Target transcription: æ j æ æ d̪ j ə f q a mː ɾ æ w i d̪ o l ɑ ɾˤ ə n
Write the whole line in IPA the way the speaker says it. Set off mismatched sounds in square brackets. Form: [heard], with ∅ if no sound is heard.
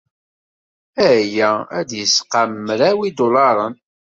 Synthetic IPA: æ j æ æ d̪ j ə [s] q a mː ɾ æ w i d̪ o l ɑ ɾˤ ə n